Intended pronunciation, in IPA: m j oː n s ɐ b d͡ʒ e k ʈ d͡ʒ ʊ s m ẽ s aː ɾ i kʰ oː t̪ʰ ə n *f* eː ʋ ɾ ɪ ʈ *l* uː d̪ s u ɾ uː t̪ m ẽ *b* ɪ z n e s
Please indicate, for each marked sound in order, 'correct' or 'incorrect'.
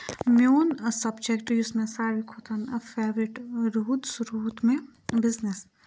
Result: correct, incorrect, correct

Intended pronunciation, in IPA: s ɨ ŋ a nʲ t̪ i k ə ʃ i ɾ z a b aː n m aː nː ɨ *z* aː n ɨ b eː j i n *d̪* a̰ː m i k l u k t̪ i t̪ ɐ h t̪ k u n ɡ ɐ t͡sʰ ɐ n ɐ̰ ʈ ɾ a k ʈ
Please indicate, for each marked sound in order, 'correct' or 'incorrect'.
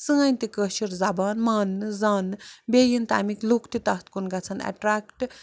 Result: correct, incorrect

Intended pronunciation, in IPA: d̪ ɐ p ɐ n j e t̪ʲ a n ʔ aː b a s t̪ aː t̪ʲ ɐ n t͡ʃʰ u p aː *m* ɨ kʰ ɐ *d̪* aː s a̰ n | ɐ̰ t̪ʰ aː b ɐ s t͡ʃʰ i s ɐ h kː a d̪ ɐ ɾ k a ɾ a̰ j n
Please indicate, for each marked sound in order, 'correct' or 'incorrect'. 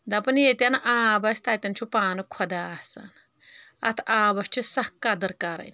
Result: incorrect, correct

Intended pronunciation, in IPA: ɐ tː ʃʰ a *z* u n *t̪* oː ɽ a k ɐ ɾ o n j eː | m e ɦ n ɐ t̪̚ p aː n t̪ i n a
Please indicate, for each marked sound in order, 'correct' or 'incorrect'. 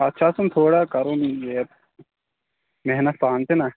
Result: incorrect, incorrect

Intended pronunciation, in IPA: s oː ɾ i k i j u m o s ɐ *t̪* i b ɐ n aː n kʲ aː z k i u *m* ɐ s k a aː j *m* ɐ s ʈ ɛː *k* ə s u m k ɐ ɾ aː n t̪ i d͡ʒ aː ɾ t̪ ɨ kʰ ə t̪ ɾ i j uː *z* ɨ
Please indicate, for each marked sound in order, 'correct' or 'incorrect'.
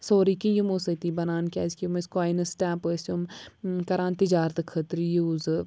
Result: correct, correct, incorrect, incorrect, correct

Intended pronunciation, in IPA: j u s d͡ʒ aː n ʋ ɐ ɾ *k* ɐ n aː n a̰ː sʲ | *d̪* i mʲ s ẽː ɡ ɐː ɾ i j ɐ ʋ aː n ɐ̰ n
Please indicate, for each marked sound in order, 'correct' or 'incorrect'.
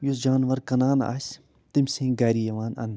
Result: correct, incorrect

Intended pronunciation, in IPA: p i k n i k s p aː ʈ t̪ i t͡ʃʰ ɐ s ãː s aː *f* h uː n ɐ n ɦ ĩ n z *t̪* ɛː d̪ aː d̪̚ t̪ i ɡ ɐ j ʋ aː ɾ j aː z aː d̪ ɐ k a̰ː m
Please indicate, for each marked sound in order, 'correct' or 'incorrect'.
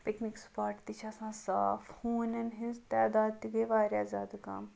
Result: correct, correct

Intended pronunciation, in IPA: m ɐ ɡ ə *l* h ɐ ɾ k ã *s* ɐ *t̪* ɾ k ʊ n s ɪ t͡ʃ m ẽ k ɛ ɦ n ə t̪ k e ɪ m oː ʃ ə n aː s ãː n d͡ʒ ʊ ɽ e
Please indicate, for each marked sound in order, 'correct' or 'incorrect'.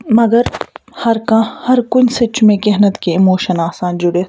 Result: incorrect, incorrect, incorrect

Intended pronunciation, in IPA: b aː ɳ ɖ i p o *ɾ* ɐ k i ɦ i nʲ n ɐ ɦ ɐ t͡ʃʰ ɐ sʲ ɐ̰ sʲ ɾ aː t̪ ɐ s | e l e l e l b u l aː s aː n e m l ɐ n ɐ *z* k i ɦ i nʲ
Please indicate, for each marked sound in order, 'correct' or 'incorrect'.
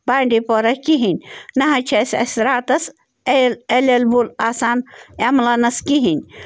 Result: correct, incorrect

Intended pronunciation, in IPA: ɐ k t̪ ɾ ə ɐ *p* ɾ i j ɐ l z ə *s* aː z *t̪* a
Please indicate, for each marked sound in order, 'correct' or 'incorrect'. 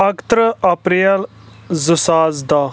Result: correct, correct, incorrect

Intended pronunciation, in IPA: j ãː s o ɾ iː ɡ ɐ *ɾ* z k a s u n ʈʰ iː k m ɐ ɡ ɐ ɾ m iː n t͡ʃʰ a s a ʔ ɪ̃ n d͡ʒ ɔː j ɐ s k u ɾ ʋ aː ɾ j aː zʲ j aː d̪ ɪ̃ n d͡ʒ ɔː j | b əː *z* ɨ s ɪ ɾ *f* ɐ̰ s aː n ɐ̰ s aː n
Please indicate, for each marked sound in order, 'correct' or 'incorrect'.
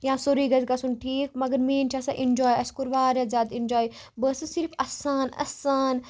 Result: incorrect, incorrect, correct

